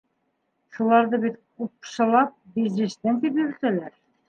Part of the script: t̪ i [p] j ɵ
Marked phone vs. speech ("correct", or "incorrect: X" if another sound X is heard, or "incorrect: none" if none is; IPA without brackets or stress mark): correct